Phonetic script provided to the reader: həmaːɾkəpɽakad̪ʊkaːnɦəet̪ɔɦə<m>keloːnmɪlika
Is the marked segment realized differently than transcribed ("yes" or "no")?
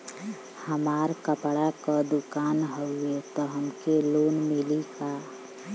no